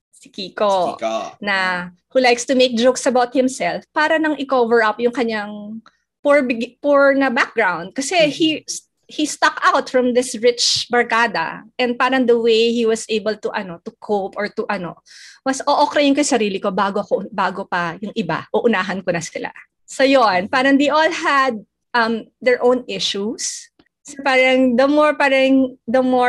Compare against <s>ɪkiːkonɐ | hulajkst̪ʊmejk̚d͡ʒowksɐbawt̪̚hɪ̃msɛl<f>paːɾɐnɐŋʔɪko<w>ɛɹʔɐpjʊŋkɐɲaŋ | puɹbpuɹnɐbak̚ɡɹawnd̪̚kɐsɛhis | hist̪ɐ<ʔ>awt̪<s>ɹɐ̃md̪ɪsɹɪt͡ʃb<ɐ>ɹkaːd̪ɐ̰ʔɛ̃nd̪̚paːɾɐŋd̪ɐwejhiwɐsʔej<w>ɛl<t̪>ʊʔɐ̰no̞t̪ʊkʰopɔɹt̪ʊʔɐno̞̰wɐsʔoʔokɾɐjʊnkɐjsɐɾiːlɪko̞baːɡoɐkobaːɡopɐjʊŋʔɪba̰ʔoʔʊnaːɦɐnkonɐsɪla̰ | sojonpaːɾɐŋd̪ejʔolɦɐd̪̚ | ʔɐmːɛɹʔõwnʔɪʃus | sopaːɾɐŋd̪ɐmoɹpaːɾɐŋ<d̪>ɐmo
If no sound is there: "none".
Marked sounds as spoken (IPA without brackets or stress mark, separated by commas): s, f, v, k, f, ɐ, b, t̪, d̪